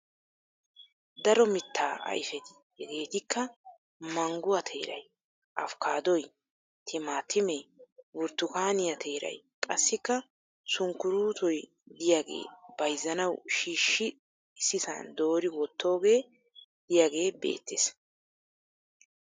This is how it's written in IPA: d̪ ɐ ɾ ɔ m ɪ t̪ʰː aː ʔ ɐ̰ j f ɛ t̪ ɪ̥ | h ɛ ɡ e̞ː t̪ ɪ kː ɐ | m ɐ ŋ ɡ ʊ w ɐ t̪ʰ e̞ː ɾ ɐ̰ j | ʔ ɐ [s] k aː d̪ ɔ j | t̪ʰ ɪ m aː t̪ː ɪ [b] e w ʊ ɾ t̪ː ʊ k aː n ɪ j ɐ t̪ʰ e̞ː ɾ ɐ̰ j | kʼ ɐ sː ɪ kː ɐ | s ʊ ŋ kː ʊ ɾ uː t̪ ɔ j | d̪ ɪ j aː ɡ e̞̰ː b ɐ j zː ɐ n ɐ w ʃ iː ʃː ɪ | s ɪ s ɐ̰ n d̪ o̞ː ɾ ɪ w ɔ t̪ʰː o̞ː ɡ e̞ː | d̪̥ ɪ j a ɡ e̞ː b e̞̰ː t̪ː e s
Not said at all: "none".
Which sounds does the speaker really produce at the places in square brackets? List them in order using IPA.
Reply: f, m

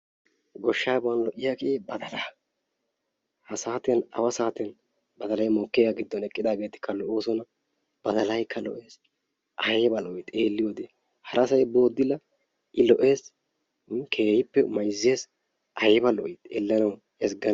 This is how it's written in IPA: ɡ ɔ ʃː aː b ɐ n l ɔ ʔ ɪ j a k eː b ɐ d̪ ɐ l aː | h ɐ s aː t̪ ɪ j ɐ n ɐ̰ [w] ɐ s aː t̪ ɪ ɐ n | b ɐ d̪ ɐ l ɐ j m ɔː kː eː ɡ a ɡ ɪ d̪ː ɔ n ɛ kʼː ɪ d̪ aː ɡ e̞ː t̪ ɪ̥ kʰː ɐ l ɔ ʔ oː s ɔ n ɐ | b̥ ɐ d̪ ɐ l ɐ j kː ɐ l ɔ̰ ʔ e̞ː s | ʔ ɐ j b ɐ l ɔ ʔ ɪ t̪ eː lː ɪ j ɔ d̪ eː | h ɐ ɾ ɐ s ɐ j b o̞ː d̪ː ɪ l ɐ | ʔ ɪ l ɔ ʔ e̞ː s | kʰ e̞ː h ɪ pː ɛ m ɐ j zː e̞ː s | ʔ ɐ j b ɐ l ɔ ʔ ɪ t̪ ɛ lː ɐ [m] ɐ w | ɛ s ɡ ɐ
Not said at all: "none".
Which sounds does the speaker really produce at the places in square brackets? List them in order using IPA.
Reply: w, n

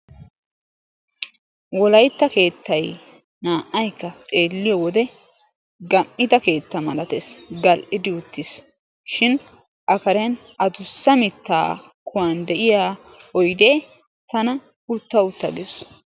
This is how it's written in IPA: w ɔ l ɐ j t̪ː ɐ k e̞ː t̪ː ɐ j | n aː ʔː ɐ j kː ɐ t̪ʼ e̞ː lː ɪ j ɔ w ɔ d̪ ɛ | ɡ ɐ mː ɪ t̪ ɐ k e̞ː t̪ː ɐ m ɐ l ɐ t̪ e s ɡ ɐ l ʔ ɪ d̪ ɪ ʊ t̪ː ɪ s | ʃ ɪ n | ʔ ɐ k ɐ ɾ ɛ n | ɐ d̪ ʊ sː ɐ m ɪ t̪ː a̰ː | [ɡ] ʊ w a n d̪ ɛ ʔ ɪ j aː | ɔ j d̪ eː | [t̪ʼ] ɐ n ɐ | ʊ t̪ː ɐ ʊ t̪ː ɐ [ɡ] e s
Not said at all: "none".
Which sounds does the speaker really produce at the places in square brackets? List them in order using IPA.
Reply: k, t̪, ɡ

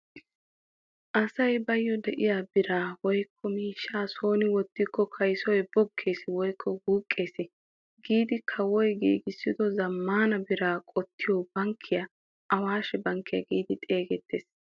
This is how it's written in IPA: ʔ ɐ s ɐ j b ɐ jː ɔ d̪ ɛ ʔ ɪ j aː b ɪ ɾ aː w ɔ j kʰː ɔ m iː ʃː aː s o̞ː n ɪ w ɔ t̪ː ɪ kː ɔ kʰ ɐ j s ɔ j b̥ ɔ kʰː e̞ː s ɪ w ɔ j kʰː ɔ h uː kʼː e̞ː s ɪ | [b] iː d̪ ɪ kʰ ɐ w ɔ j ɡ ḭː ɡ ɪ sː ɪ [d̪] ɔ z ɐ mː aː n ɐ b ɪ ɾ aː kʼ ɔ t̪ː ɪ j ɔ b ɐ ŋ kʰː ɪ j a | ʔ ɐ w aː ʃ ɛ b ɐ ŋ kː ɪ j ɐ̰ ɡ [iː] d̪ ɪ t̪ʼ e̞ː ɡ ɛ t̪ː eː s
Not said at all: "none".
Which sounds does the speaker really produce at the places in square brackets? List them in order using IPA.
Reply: ɡ, d̪, iː

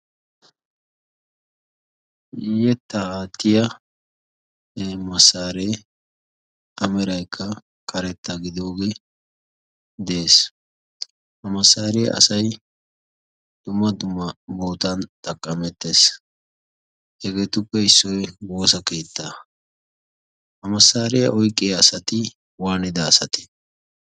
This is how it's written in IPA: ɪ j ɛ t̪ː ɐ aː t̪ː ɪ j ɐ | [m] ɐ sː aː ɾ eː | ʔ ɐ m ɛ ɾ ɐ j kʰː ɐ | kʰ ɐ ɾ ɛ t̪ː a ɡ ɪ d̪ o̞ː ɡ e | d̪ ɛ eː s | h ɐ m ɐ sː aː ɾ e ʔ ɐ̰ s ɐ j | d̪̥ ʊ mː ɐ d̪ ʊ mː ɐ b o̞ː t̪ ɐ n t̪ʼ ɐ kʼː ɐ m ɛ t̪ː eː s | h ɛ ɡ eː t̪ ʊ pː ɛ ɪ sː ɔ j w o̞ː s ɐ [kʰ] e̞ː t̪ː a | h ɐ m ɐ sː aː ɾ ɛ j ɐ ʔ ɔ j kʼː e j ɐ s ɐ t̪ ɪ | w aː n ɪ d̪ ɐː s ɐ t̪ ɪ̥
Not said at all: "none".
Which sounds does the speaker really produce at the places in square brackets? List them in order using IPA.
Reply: m, k

